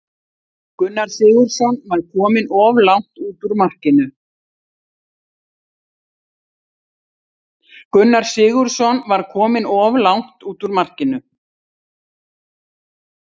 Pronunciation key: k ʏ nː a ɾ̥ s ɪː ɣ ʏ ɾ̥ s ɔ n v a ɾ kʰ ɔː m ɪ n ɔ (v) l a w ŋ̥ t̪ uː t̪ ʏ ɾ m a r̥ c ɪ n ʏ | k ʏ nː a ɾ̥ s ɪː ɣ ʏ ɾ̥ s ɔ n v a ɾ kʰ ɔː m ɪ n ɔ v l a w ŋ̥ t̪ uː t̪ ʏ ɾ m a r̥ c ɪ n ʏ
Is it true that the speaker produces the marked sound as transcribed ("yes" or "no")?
yes